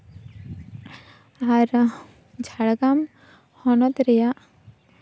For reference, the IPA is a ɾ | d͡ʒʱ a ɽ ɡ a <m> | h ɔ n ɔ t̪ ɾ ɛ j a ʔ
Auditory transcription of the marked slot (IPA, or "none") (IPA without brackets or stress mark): m